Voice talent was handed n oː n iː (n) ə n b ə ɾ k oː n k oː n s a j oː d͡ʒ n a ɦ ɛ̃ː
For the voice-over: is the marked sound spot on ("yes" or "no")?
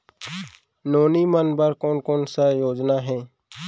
no